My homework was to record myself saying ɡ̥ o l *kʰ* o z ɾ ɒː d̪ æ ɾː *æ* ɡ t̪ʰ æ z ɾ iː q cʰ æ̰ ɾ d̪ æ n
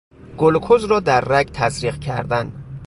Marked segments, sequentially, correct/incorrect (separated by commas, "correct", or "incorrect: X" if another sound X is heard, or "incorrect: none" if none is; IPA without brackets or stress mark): correct, correct